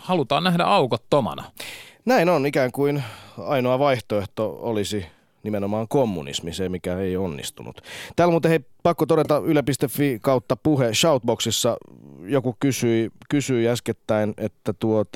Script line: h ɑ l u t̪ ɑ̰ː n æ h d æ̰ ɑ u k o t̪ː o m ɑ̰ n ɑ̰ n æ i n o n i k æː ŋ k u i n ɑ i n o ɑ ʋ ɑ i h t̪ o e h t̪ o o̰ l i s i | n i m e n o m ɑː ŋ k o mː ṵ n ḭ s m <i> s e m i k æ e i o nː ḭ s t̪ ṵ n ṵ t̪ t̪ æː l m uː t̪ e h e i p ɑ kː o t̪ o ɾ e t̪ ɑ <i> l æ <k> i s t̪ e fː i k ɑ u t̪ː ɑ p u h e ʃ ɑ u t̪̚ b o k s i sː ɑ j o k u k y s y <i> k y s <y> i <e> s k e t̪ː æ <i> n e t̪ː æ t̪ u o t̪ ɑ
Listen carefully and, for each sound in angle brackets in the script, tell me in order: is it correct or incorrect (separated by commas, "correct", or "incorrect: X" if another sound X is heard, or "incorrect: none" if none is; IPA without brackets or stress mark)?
correct, incorrect: y, incorrect: p, correct, correct, incorrect: æ, correct